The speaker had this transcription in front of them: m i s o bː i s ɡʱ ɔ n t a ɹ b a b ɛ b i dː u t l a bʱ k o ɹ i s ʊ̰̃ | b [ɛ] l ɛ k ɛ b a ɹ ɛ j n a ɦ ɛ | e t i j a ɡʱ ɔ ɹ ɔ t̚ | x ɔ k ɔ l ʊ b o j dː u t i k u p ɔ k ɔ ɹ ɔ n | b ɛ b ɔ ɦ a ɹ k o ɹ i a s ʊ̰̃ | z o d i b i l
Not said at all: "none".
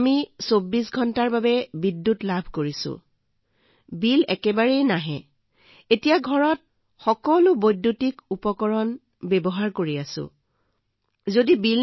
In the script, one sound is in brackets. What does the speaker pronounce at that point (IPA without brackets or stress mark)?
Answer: i